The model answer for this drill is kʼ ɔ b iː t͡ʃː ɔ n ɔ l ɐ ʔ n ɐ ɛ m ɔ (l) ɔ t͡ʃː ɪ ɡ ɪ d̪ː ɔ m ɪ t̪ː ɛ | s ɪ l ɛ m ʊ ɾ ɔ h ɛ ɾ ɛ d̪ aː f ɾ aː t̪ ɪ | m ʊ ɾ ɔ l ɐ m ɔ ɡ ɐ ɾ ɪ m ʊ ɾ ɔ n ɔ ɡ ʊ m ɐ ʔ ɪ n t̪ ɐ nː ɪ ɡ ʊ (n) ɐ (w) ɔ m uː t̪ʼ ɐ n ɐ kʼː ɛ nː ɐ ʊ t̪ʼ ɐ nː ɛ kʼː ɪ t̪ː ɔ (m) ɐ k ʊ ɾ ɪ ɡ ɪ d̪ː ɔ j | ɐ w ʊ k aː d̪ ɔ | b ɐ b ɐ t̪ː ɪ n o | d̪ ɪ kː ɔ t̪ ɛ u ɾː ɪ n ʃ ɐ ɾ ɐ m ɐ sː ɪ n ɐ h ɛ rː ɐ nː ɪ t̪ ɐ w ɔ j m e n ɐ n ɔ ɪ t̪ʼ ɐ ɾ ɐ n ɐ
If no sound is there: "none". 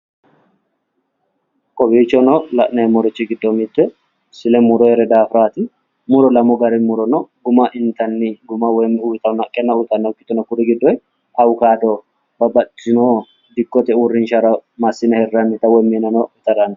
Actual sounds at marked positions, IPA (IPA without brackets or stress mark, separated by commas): ɾ, m, w, n